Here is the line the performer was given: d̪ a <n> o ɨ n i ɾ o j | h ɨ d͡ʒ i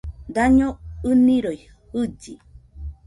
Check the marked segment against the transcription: incorrect: ɲ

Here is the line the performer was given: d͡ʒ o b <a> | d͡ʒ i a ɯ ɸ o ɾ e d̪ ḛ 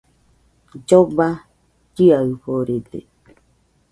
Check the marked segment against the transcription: correct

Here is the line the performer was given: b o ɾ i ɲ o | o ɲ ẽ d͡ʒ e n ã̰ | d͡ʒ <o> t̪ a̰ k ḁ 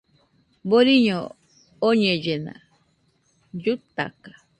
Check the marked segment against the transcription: incorrect: u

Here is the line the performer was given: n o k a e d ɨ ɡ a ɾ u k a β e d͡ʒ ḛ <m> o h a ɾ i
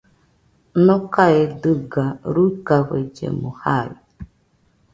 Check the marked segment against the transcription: correct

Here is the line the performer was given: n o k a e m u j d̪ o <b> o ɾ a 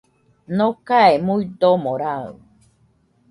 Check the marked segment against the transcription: incorrect: m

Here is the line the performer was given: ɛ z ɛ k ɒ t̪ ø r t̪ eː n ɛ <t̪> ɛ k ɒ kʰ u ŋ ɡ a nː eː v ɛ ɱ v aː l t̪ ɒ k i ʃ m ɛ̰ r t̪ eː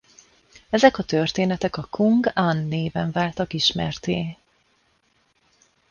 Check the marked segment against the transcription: correct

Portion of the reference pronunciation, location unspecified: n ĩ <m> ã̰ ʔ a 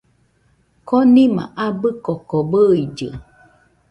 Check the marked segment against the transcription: correct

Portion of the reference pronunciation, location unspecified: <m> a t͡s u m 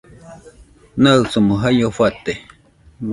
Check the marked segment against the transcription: incorrect: n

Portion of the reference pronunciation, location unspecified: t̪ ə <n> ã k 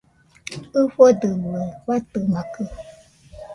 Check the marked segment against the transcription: incorrect: m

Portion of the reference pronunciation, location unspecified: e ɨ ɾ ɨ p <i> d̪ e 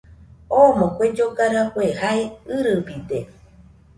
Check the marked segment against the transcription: correct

